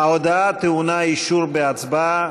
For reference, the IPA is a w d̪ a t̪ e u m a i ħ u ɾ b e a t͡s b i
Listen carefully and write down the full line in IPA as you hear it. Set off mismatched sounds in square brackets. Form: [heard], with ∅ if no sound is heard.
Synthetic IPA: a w d̪ a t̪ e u [n] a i [ʃ] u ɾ b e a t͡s b [a]